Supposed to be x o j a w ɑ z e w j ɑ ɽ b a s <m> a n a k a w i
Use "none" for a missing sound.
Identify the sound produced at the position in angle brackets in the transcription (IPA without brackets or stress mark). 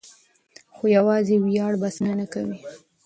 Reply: n